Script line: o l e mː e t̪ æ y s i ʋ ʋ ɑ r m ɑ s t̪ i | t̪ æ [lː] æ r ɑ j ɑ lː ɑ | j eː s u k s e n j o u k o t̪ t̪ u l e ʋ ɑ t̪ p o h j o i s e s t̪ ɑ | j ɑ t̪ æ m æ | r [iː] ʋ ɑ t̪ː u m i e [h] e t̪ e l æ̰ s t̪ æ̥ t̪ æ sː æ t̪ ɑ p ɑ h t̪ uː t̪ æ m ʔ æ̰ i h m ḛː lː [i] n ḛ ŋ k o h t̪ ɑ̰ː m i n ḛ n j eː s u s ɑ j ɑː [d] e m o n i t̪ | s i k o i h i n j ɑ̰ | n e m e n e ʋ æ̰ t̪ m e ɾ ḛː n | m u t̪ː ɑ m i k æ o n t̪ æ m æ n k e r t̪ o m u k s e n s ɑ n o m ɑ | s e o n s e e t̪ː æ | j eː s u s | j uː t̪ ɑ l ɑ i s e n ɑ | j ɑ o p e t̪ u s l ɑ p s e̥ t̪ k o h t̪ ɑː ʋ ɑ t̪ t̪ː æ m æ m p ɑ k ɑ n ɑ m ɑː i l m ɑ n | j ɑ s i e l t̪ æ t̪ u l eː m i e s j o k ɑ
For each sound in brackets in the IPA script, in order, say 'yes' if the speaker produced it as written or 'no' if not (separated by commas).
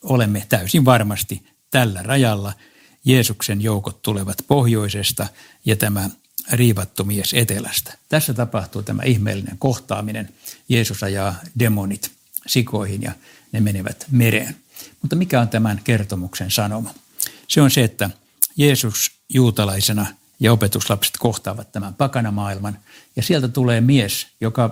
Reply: yes, yes, no, yes, yes